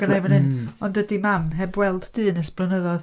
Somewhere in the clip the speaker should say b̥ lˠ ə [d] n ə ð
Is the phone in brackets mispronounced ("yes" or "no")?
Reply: yes